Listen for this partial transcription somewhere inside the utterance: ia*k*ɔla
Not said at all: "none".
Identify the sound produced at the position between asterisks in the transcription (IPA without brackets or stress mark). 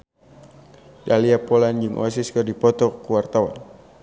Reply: p